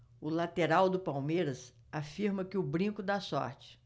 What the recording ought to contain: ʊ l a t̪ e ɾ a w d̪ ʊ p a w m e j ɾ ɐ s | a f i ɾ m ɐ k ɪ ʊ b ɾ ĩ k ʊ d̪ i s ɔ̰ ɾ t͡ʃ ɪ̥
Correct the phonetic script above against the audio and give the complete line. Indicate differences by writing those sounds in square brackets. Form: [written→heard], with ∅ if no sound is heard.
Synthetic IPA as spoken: ʊ l a t̪ e ɾ a w d̪ ʊ p a w m e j ɾ ɐ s | a f i ɾ m ɐ k ɪ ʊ b ɾ ĩ k ʊ d̪ [i→a] s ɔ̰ ɾ t͡ʃ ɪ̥